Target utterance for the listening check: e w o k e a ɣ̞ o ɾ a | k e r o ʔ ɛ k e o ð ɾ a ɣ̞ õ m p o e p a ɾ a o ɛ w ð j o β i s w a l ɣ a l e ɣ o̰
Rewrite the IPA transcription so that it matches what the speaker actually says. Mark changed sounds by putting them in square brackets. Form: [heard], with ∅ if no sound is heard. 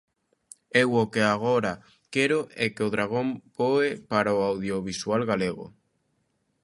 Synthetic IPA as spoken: e w o k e a ɣ̞ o ɾ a | k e [ɾ] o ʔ ɛ k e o ð ɾ a ɣ̞ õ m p o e p a ɾ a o [a] w ð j o β i s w a l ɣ a l e ɣ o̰